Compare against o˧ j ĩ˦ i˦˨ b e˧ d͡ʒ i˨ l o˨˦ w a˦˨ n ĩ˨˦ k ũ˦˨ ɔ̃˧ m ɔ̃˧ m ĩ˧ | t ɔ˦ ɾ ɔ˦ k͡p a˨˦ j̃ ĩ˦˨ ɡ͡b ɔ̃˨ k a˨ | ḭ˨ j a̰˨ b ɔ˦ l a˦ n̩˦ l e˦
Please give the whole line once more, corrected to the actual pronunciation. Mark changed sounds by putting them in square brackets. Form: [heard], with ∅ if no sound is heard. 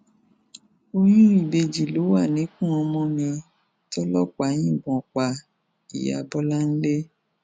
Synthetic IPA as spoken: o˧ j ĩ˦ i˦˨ b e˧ d͡ʒ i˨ l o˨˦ w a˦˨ n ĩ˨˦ k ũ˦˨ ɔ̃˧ m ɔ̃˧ m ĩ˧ | t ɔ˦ [l] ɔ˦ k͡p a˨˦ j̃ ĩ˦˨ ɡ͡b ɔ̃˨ [k͡p] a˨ | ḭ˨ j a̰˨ b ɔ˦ l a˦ n̩˦ l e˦